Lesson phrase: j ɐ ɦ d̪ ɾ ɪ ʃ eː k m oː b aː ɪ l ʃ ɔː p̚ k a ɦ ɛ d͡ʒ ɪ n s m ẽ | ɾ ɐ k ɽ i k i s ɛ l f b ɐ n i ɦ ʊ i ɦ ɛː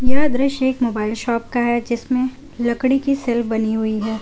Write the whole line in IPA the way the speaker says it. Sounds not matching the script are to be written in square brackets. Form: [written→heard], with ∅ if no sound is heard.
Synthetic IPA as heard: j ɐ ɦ d̪ ɾ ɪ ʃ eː k m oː b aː ɪ l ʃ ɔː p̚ k a ɦ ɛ d͡ʒ ɪ [n→∅] s m ẽ | [ɾ→l] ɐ k ɽ i k i s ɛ l f b ɐ n i ɦ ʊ i ɦ ɛː